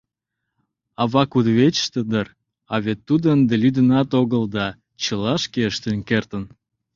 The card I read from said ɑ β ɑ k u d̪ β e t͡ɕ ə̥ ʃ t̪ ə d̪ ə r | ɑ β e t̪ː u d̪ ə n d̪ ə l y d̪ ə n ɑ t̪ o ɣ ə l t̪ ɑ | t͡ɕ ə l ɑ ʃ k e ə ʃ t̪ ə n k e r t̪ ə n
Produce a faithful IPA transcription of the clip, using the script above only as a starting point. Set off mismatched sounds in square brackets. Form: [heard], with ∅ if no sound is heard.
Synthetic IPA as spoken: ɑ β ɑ k u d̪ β e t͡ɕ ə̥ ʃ t̪ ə d̪ ə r | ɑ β e t̪ː u d̪ ə n d̪ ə l y d̪ ə n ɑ t̪ o ɣ ə l [d̪] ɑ | t͡ɕ ə l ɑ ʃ k e ə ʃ t̪ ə n k e r t̪ ə n